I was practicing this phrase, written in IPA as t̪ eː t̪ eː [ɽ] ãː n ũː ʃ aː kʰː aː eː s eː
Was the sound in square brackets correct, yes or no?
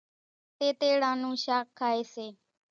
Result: yes